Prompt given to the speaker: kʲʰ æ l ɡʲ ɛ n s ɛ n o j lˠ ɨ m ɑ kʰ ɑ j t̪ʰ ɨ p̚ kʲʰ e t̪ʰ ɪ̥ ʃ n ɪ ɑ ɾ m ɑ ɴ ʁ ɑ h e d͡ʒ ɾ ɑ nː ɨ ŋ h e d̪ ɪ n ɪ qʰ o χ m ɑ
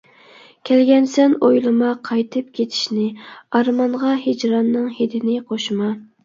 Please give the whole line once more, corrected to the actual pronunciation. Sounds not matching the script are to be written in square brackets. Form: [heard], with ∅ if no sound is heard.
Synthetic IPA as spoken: kʲʰ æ l ɡʲ ɛ n s ɛ n o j lˠ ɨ m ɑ [qʰ] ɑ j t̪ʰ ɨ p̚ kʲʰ e t̪ʰ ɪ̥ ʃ n ɪ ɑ ɾ m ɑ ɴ ʁ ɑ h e d͡ʒ ɾ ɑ nː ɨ ŋ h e d̪ ɪ n ɪ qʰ o [ʃ] m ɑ